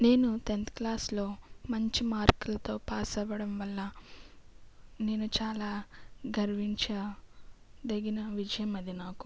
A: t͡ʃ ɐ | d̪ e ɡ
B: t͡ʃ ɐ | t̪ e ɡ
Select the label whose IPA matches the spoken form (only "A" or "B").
A